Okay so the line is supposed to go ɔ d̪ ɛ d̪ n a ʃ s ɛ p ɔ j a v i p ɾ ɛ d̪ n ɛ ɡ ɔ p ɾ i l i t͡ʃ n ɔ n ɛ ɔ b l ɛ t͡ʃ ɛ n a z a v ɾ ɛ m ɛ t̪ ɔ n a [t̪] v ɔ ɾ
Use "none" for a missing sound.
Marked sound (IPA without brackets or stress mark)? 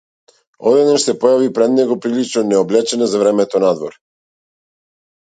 d̪